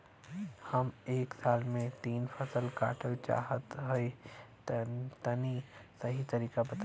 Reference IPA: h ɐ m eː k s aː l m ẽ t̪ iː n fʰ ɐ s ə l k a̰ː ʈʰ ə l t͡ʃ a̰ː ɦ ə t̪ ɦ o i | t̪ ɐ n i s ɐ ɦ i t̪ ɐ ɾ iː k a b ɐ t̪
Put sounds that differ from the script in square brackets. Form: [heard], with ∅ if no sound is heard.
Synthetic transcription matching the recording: h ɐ m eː k s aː l m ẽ t̪ iː n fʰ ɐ s ə l k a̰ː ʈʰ ə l t͡ʃ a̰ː ɦ ə t̪ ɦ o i | t̪ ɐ n i s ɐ ɦ i t̪ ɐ ɾ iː k a b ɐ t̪